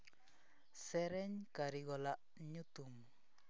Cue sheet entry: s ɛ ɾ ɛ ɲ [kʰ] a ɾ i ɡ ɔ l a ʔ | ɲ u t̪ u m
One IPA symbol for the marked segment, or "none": k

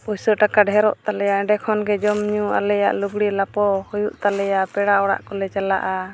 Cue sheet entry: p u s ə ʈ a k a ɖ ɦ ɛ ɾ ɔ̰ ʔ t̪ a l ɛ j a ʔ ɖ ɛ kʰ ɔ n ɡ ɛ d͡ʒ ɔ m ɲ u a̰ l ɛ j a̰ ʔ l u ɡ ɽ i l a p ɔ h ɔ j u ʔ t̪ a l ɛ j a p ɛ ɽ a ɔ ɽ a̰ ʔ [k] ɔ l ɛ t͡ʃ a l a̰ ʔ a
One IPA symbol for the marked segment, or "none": k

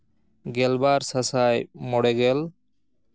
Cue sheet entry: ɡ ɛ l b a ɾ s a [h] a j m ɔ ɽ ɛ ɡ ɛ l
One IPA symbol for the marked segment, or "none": s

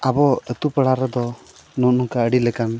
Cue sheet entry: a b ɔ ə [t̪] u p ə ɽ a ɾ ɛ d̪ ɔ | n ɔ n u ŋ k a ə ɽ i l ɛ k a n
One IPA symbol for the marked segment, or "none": t̪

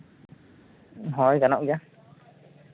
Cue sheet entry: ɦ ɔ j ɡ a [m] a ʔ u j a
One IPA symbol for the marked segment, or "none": n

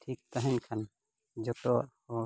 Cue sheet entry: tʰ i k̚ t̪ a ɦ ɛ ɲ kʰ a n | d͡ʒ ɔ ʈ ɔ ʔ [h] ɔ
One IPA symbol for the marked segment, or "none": h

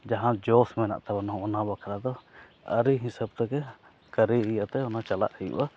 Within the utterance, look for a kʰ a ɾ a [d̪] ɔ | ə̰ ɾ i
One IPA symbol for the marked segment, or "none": d̪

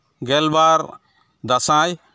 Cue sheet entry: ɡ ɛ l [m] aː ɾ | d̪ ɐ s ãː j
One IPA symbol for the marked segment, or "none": b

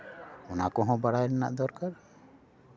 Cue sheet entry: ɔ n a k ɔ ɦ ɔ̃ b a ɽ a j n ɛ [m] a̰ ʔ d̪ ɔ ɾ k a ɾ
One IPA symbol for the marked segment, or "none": n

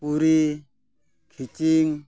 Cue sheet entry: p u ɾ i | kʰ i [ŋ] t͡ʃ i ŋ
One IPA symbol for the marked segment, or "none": none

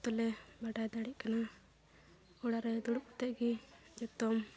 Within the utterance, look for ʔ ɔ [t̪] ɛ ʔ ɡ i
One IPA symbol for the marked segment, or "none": t̪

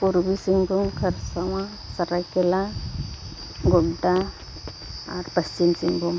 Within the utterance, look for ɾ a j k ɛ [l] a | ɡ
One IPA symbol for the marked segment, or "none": l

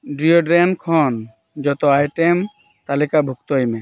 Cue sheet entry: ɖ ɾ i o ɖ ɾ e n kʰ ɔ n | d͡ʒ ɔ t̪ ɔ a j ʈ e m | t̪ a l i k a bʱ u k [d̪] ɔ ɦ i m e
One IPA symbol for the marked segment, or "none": t̪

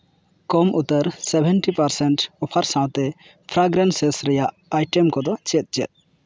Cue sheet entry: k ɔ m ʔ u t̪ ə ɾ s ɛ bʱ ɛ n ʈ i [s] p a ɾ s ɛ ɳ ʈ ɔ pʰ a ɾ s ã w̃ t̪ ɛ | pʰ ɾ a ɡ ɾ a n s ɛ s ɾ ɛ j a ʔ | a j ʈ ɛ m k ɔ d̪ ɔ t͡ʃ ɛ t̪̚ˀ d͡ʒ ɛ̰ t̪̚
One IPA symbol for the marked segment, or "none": none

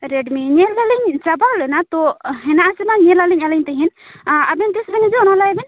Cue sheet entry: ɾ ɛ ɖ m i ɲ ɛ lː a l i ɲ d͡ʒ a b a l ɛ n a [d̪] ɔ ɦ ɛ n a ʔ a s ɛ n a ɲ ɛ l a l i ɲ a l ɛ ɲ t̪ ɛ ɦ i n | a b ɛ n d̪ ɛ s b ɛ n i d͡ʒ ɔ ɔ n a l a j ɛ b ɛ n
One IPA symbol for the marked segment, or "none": t̪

